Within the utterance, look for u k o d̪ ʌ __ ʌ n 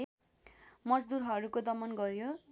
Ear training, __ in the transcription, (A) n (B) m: B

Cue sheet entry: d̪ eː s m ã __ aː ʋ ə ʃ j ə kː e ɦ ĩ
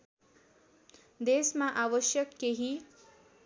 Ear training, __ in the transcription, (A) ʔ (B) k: A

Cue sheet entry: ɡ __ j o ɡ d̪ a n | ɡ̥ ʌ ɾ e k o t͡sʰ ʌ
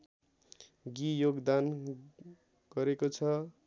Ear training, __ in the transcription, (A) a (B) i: B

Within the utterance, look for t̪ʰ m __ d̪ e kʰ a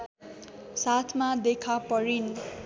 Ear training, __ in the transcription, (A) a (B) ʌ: A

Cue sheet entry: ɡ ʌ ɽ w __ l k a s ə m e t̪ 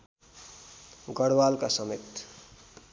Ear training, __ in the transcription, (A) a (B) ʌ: A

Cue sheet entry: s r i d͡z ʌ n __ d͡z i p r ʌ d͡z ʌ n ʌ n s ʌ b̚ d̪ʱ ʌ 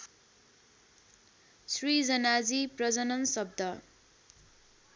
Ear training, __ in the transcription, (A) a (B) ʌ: A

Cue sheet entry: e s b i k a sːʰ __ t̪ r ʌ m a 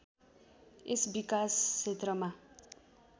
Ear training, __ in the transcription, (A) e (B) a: A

